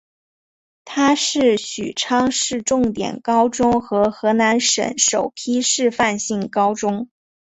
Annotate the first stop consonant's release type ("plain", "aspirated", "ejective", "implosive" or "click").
aspirated